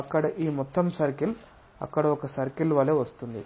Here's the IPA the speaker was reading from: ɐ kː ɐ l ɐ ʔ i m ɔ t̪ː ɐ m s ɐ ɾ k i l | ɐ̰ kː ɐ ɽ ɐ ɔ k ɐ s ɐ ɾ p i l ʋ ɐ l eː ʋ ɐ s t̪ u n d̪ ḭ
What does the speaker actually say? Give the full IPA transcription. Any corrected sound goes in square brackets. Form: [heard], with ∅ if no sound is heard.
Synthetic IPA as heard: ɐ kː ɐ [ɽ] ɐ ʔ [iː] m ɔ t̪ː ɐ m s ɐ ɾ k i l | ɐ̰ kː ɐ ɽ ɐ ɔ k ɐ s ɐ ɾ [k] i l ʋ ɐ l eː ʋ ɐ s t̪ u n d̪ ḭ